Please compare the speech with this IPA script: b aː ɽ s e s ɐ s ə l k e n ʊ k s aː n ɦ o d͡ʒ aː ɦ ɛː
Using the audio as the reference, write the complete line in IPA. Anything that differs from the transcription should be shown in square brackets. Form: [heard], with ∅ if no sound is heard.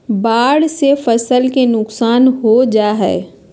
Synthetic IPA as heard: b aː ɽ s e [f] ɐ s ə l k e n ʊ k s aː n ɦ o d͡ʒ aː ɦ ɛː